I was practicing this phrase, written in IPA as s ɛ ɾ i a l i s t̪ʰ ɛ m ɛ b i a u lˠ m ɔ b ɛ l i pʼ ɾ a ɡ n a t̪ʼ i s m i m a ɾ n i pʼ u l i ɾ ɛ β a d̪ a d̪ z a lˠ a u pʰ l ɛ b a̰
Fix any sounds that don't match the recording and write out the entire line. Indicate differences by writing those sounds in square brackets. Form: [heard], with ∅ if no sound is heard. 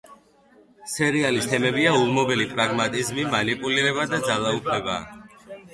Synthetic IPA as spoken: s ɛ ɾ i a l i s t̪ʰ ɛ m ɛ b i a u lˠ m ɔ b ɛ l i pʼ ɾ a ɡ [m] a t̪ʼ i [z] m i m a [∅] n i pʼ u l i ɾ ɛ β a d̪ a d̪ z a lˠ a u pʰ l ɛ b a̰